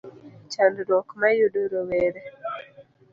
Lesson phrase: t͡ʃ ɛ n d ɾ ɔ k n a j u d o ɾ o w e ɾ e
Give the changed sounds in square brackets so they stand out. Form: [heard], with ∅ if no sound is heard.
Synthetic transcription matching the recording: t͡ʃ [a] n d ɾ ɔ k [m] a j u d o ɾ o w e ɾ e